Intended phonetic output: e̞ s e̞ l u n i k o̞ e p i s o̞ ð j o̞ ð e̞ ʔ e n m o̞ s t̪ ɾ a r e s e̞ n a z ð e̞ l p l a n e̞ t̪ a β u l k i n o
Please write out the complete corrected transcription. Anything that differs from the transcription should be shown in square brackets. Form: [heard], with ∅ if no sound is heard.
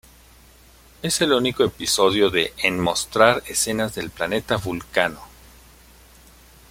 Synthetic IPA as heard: e̞ s e̞ l u n i k o̞ e p i s o̞ ð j o̞ ð e̞ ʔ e n m o̞ s t̪ ɾ a [ɾ] e s e̞ n a z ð e̞ l p l a n e̞ t̪ a β u l k [a] n o